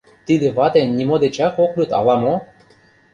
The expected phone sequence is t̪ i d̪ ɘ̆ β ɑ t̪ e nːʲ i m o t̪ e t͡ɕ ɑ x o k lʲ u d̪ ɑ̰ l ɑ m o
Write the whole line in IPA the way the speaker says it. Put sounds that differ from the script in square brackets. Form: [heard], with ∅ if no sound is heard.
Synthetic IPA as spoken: t̪ i d̪ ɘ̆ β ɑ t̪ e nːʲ i m o [d̪] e t͡ɕ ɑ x o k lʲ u [t̪] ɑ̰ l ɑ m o